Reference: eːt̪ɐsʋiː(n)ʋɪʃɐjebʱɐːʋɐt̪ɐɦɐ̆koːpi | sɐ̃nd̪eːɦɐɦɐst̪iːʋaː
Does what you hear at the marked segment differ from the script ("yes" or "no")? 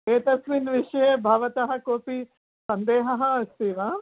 no